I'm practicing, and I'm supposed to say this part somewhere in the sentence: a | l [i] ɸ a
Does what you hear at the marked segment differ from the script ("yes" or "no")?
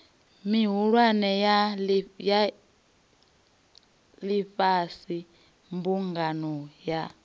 no